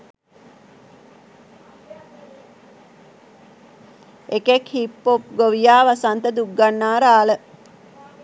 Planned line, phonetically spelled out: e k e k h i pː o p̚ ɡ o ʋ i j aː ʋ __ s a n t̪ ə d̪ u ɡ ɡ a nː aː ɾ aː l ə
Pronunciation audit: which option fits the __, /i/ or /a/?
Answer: a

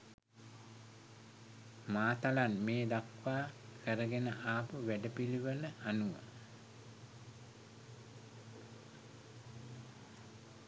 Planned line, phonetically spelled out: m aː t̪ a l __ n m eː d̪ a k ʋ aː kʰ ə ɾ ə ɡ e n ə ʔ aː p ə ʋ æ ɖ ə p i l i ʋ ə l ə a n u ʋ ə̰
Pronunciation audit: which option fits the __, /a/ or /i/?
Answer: a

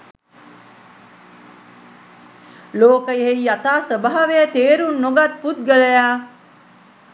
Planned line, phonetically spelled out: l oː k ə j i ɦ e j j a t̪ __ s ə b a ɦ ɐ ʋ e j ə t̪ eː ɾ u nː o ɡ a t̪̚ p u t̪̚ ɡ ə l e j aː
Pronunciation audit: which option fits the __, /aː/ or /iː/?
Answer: aː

